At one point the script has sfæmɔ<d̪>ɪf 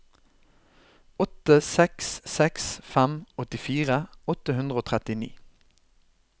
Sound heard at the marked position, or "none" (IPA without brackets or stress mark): t̪